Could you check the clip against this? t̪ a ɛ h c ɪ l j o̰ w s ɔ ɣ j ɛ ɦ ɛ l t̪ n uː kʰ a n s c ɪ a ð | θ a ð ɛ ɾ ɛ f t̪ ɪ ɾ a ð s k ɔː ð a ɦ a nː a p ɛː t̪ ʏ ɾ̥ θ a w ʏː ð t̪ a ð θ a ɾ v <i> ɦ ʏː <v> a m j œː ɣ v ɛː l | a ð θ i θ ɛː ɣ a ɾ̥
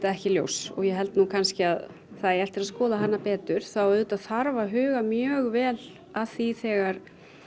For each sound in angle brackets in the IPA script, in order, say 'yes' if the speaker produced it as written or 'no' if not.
no, no

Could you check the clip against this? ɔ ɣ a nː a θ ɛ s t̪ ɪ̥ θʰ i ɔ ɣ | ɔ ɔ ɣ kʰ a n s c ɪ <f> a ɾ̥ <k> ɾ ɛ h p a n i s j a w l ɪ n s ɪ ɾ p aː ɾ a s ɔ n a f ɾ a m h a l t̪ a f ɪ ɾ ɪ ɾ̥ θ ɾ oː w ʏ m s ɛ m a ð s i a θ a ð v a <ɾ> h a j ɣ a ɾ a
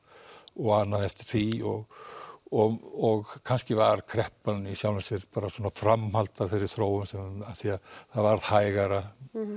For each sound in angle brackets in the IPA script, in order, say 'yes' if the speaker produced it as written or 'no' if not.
no, no, yes

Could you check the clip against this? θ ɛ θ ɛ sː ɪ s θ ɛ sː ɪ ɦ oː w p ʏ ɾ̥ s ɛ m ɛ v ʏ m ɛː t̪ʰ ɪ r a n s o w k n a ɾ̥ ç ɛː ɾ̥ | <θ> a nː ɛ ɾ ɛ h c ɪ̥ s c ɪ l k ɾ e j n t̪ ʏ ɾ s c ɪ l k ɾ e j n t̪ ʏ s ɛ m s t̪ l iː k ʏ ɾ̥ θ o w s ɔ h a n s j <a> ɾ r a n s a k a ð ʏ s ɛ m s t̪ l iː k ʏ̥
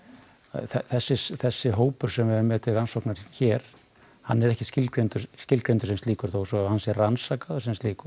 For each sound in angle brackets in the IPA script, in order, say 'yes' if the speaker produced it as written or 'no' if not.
no, no

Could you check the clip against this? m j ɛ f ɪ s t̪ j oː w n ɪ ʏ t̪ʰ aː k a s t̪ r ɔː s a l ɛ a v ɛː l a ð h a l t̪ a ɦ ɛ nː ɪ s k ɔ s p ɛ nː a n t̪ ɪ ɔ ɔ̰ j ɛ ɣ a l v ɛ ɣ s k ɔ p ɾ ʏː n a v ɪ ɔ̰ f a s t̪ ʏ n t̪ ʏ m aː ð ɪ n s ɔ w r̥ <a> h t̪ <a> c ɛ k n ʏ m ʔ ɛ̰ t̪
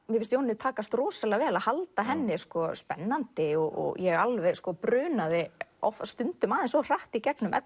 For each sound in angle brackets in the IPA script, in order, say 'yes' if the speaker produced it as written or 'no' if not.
yes, no

